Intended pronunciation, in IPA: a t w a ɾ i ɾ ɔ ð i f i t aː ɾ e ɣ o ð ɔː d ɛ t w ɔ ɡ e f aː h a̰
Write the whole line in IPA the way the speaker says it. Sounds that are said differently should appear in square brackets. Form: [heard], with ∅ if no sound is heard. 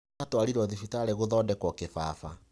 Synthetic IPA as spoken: a t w a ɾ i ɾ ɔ ð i f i t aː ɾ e ɣ o ð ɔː d ɛ [k] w ɔ [k] e f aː [f] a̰

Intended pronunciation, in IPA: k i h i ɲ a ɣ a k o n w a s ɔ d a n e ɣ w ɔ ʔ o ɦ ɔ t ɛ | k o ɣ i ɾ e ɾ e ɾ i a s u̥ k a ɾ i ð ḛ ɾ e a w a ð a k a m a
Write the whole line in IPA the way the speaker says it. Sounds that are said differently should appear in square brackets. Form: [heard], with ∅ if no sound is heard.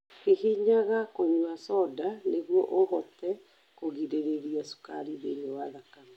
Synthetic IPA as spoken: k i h i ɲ a ɣ a k o [ɲ] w a s ɔ d a n e ɣ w ɔ ʔ o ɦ ɔ t ɛ | k o ɣ i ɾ e ɾ e ɾ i a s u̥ k a ɾ i ð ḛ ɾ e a w a ð a k a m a

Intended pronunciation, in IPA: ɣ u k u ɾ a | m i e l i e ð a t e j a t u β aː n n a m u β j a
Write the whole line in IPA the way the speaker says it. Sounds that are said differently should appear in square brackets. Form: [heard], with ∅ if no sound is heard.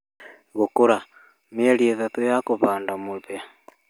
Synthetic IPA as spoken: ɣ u k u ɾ a | m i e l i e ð a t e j a [k] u β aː n [d] a m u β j a

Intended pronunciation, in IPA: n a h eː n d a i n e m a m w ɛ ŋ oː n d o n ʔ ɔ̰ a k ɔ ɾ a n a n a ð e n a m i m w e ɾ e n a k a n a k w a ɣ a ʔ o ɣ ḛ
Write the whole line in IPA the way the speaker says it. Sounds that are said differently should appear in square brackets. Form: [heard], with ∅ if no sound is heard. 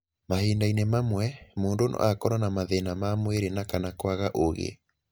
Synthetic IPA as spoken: [m] a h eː n d a i n e m a m w ɛ [m] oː n d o n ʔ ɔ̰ a k ɔ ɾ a n a [m] a ð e n a m [a] m w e ɾ e n a k a n a k w a ɣ a ʔ o ɣ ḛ

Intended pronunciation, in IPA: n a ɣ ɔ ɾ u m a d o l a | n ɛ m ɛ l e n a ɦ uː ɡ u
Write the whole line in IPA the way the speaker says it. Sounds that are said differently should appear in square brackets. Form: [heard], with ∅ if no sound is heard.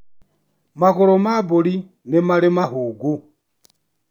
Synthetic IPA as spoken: [m] a ɣ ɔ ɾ [ɔ] m a [b] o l [i] | n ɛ m [a] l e [m] a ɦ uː ɡ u

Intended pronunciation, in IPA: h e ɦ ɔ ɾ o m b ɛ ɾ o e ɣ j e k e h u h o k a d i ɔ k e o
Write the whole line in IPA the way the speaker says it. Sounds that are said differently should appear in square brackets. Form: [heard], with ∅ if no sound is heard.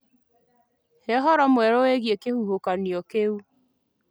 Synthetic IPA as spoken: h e ɦ ɔ ɾ [ɔ] m [w] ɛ ɾ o e ɣ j e k e h u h o k a [n] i ɔ k e [u]

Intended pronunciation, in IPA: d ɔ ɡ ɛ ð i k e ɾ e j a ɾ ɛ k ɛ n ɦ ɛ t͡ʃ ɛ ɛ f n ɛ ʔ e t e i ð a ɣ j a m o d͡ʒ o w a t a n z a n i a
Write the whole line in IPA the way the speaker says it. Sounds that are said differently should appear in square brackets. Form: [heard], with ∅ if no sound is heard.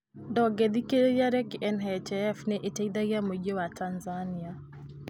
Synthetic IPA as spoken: d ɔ ɡ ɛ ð i k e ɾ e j a ɾ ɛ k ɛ n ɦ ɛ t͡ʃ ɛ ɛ f n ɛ ʔ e t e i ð a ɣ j a m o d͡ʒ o w a t a n z a n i a

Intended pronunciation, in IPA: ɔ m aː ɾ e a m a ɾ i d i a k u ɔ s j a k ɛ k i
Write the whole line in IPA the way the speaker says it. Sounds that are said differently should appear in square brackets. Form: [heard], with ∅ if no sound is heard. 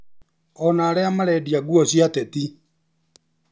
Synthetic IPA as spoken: ɔ [n] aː ɾ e a m a ɾ [ɛ] d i a [ɡ] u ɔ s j a [t] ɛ [t] i

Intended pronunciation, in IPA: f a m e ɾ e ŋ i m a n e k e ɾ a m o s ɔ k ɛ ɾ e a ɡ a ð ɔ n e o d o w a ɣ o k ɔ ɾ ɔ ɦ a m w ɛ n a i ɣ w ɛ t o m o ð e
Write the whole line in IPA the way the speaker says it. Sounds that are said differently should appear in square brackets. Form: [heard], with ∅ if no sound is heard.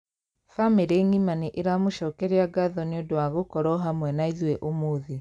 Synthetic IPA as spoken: f a m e ɾ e ŋ i m a n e [ʔ] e ɾ a m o [ʃ] ɔ k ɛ ɾ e a ɡ a ð ɔ n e o d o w a ɣ o k ɔ ɾ ɔ ɦ a m w ɛ n a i [ð] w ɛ [ʔ] o m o ð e

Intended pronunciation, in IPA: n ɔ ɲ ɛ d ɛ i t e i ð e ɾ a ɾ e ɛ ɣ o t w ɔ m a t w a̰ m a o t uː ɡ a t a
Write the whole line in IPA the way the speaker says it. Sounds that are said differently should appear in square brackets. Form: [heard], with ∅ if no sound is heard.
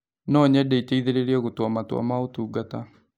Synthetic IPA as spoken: n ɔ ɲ ɛ d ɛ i t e i ð e ɾ [e] ɾ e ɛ ɣ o t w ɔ m a t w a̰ m a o t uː ɡ a t a

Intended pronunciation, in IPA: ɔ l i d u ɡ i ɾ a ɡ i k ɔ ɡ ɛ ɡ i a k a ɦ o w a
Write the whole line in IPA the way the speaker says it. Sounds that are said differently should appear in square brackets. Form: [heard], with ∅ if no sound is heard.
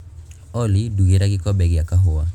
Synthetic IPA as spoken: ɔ l i d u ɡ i ɾ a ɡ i k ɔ [b] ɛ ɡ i a k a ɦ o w a

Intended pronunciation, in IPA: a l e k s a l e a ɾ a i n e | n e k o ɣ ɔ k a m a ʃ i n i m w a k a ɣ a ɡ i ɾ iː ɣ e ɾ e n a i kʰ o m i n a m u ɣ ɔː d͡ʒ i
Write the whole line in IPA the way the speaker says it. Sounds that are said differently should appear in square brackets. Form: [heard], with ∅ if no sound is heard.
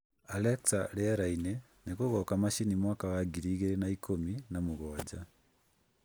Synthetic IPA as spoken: a l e k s a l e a ɾ a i n e | n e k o ɣ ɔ k a m a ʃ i n i m w a k a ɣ a ɡ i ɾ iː ɣ e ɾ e n a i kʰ o m i n a m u ɣ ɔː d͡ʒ [a]

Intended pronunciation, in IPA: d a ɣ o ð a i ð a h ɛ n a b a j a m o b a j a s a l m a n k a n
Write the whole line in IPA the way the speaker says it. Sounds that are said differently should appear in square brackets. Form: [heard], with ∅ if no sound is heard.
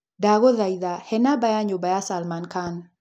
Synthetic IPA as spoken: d a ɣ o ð a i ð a h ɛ n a b a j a [ɲ] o b a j a s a l m a n k a n

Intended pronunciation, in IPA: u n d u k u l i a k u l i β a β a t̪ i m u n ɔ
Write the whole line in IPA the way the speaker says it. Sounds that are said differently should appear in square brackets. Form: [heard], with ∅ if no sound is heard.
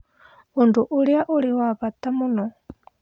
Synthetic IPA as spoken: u n d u [ʔ] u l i a [ʔ] u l i [w] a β a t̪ [a] m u n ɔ

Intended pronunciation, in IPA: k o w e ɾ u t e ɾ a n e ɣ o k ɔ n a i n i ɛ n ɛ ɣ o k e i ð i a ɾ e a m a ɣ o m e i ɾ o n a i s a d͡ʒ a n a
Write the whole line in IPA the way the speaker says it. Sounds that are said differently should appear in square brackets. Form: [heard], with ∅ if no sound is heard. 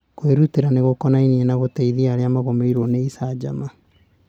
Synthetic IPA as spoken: k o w e ɾ u t e ɾ a n e ɣ o k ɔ n a i n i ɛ n [a] ɣ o [t] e i ð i a ɾ e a m a ɣ o m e i ɾ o n [e] i s a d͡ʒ a [m] a

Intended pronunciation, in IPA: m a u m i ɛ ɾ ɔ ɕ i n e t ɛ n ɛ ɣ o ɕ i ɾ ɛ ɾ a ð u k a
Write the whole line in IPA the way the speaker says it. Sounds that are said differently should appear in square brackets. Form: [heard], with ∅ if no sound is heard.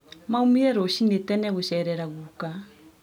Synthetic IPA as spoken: m a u m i ɛ ɾ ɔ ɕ i n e t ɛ n ɛ ɣ o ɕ [ɛ] ɾ ɛ ɾ a [ɣ] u k a

